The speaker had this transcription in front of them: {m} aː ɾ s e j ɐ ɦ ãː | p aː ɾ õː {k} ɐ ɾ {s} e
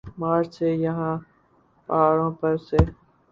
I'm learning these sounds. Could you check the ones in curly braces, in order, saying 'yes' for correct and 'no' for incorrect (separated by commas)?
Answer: yes, no, yes